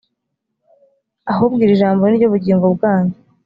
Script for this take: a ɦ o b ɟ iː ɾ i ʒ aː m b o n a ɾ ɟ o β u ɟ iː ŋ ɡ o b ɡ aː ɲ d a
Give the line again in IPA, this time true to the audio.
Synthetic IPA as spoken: a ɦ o b ɡ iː ɾ i ʒ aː m b o n i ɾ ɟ o β u ɟ iː ŋ ɡ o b ɡ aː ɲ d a